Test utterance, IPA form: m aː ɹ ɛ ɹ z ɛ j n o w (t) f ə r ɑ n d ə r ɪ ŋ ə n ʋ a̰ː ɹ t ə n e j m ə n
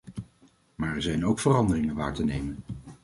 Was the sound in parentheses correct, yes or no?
no